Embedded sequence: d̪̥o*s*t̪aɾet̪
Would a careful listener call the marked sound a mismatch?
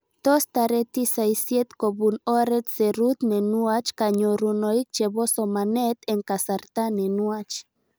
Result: no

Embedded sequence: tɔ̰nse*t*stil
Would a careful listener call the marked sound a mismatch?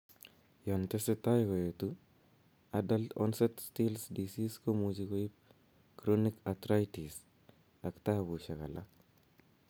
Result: no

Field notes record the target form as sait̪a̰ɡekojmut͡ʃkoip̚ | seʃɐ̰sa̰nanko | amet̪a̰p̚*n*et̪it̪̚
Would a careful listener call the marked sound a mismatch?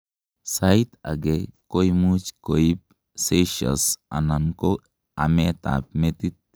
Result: yes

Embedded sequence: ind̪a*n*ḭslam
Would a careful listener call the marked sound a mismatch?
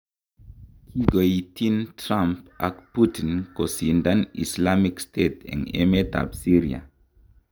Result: no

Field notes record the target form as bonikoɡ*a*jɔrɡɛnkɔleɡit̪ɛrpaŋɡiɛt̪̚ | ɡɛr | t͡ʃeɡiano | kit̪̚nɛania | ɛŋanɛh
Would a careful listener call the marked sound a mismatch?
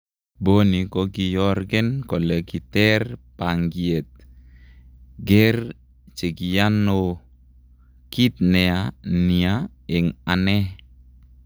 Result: yes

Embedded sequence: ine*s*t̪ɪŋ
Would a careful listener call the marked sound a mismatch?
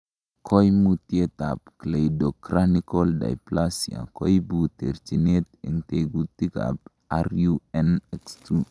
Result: yes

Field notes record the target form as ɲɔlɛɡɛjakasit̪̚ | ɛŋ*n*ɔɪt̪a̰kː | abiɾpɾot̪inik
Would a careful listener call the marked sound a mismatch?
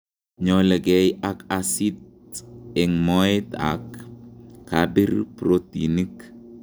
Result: yes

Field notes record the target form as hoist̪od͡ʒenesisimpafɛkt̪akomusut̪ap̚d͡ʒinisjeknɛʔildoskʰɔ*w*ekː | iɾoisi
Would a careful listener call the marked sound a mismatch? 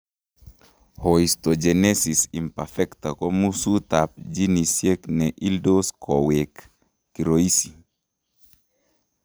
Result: no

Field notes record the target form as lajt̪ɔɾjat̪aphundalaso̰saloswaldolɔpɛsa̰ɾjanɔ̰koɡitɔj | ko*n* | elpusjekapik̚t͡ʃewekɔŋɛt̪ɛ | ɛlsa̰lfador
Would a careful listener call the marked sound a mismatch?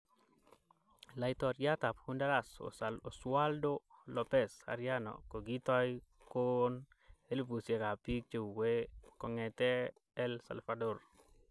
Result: no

